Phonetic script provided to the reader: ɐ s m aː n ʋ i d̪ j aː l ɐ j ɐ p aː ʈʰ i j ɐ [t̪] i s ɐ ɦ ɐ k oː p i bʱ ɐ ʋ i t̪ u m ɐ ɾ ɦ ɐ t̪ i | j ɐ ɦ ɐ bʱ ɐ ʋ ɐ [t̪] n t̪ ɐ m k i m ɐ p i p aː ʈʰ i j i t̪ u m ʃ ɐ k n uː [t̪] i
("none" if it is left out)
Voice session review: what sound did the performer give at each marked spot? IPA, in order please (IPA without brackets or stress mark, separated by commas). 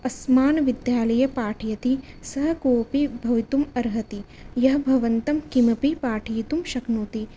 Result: t̪, none, t̪